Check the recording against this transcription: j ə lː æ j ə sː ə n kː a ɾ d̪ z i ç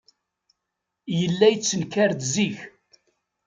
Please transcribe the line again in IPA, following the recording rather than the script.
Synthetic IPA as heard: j ə lː æ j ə t͡sː ə n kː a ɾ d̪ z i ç